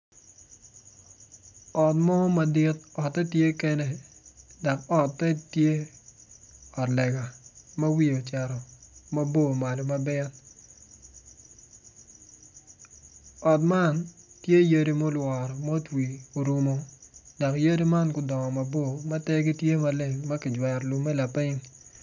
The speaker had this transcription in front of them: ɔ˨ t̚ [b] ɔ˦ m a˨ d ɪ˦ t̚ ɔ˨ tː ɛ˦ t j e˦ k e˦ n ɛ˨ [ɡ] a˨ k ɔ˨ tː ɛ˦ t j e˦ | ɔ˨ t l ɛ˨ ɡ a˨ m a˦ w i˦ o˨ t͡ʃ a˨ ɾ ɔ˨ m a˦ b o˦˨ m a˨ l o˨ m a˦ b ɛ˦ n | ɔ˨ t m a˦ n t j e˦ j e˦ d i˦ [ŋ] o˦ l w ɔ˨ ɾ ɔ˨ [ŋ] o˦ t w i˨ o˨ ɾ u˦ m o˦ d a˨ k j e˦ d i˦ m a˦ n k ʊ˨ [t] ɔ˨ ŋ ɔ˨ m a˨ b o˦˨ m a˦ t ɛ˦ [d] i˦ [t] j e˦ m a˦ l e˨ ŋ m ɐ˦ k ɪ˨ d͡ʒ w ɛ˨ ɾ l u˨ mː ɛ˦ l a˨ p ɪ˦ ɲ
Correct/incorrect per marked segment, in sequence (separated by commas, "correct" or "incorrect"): incorrect, incorrect, incorrect, incorrect, incorrect, incorrect, correct